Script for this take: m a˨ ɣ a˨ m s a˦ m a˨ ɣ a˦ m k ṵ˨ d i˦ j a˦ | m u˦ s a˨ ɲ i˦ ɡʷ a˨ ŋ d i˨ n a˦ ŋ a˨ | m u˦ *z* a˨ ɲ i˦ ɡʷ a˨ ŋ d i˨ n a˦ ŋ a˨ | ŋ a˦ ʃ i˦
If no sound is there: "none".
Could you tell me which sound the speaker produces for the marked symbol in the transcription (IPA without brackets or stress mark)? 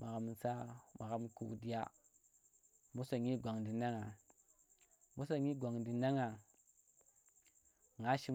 s